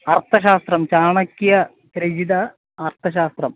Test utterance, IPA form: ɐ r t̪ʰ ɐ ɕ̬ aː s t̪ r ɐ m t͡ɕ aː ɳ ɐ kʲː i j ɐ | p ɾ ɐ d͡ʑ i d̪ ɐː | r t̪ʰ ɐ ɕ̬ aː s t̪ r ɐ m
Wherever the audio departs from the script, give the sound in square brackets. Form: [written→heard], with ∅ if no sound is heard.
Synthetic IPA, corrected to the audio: ɐ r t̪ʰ ɐ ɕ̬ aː s t̪ r ɐ m t͡ɕ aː ɳ ɐ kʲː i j ɐ | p ɾ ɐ d͡ʑ i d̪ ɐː | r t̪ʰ ɐ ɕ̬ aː s t̪ r ɐ m

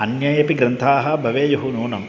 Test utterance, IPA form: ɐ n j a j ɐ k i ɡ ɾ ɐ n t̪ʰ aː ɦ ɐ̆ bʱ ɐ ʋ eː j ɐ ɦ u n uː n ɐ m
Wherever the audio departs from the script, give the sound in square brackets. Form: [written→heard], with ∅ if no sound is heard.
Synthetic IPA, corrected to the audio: ɐ n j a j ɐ [k→p] i ɡ ɾ ɐ n t̪ʰ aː ɦ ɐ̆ bʱ ɐ ʋ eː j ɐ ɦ u n uː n ɐ m

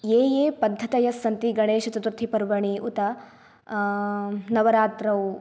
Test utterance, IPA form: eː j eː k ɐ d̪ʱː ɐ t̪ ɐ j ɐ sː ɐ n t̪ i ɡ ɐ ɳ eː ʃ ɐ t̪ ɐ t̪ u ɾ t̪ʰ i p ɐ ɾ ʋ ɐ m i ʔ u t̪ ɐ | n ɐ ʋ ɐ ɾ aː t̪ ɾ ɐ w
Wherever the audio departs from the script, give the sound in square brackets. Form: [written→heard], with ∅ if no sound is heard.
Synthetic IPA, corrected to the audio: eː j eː [k→p] ɐ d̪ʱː ɐ t̪ ɐ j ɐ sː ɐ n t̪ i ɡ ɐ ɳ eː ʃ ɐ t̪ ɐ t̪ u ɾ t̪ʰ i p ɐ ɾ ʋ ɐ [m→ɳ] i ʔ u t̪ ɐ | n ɐ ʋ ɐ ɾ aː t̪ ɾ ɐ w

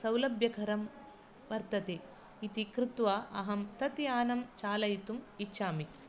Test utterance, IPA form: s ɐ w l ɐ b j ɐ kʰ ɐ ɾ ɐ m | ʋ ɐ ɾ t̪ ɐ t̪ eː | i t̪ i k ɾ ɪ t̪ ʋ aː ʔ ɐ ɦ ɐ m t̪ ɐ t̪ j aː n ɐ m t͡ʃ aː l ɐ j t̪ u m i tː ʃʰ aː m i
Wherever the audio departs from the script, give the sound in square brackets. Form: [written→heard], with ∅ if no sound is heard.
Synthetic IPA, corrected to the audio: s ɐ w l ɐ b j ɐ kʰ ɐ ɾ ɐ m | ʋ ɐ ɾ t̪ ɐ t̪ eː | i t̪ i k ɾ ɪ t̪ ʋ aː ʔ ɐ ɦ ɐ m t̪ ɐ t̪ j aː n ɐ m t͡ʃ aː l ɐ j t̪ u m i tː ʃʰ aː m i

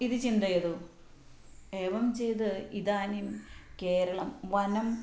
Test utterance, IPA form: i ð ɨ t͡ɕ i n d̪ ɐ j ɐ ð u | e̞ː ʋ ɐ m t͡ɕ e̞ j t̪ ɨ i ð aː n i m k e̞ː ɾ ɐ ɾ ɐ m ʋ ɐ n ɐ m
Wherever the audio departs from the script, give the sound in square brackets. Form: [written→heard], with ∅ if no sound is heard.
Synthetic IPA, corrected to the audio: i ð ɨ t͡ɕ i n d̪ ɐ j ɐ ð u | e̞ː ʋ ɐ m t͡ɕ e̞ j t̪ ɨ i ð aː n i m k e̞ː ɾ ɐ [ɾ→ɭ] ɐ m ʋ ɐ n ɐ m

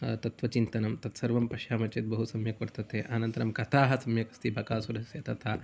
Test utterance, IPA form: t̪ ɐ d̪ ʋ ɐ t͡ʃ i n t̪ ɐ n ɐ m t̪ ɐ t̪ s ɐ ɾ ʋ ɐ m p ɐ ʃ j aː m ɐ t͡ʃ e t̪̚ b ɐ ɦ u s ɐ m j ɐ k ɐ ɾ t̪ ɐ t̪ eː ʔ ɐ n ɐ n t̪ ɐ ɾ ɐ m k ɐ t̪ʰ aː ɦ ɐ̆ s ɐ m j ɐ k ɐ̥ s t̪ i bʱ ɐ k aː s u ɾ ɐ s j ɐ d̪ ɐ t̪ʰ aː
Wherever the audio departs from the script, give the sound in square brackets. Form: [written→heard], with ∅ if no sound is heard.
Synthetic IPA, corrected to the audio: t̪ ɐ [d̪→t̪] ʋ ɐ t͡ʃ i n t̪ ɐ n ɐ m t̪ ɐ t̪ s ɐ ɾ ʋ ɐ m p ɐ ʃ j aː m ɐ t͡ʃ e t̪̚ b ɐ ɦ u s ɐ m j ɐ k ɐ ɾ t̪ ɐ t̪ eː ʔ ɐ n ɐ n t̪ ɐ ɾ ɐ m k ɐ t̪ʰ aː ɦ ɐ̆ s ɐ m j ɐ k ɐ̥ s t̪ i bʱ ɐ k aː s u ɾ ɐ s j ɐ [d̪→t̪] ɐ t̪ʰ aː

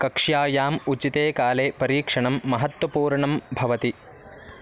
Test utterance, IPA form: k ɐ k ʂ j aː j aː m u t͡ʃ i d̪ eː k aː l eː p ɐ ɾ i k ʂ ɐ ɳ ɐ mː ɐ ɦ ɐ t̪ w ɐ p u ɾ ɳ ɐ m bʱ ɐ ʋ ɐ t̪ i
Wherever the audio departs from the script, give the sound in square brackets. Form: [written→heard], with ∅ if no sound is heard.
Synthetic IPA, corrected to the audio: k ɐ k ʂ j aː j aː m u t͡ʃ i [d̪→t̪] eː k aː l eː p ɐ ɾ [i→iː] k ʂ ɐ ɳ ɐ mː ɐ ɦ ɐ t̪ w ɐ p [u→uː] ɾ ɳ ɐ m bʱ ɐ ʋ ɐ t̪ i

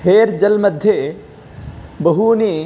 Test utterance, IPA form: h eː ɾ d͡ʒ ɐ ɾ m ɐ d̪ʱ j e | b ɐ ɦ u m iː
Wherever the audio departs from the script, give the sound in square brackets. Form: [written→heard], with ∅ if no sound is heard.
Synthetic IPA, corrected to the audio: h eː ɾ d͡ʒ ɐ [ɾ→l] m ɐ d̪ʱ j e | b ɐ ɦ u [m→n] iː

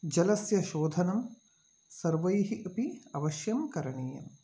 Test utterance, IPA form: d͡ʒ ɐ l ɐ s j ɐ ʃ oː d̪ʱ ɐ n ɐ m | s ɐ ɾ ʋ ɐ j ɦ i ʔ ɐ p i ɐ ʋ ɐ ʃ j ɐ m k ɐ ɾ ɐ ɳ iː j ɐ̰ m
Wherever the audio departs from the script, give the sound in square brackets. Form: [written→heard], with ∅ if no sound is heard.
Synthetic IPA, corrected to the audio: d͡ʒ ɐ l ɐ s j ɐ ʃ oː d̪ʱ ɐ n ɐ m | s ɐ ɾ ʋ ɐ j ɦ i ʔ ɐ p i ɐ ʋ ɐ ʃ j ɐ m k ɐ ɾ ɐ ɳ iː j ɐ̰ m

